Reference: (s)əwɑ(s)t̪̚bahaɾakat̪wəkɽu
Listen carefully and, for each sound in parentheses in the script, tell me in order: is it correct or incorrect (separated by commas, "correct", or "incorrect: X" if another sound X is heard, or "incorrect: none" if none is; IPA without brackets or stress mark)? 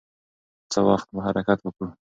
incorrect: t͡s, incorrect: x